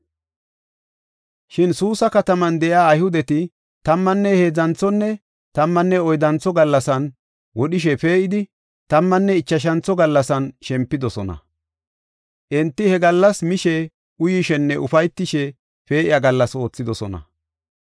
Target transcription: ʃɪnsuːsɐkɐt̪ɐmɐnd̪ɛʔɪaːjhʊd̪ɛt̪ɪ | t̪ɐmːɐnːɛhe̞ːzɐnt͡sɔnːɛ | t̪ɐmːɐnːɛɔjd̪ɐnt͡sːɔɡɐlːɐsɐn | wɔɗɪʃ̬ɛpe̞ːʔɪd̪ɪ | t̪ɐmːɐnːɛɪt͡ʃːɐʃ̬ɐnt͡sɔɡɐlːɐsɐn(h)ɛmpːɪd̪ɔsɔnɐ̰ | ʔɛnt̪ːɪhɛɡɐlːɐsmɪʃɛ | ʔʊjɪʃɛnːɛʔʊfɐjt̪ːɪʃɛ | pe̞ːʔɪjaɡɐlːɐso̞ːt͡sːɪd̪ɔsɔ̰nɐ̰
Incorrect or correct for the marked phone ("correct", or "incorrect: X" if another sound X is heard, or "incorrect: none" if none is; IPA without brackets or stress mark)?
incorrect: ʃ